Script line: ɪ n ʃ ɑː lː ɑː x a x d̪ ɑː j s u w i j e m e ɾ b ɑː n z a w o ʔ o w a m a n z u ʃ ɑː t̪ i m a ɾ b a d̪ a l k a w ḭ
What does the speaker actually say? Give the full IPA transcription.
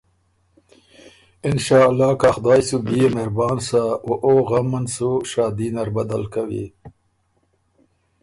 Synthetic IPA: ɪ n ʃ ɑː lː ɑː k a x d̪ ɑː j s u b i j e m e ɾ b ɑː n s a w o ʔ o ɣ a m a n s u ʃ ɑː d̪ i n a ɾ b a d̪ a l k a w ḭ